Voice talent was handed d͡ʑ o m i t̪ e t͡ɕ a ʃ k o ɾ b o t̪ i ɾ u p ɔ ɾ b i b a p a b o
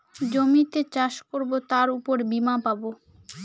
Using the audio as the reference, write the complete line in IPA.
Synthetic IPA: d͡ʑ o m i t̪ e t͡ɕ a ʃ k o ɾ b o t̪ a ɾ u p o ɾ b i m a p a b o